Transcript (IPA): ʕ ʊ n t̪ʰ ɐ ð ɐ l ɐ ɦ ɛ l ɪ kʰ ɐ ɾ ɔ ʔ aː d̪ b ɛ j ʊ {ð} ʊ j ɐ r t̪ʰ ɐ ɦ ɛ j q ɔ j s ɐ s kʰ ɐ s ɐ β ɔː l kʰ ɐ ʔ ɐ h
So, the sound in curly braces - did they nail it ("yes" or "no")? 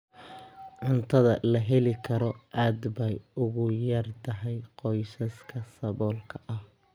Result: no